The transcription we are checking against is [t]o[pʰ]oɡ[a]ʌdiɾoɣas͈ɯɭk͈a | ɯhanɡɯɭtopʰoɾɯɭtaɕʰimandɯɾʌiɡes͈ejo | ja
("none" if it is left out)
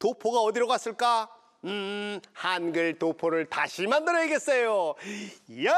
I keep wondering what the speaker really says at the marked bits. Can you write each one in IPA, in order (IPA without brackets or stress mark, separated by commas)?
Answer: t, pʰ, a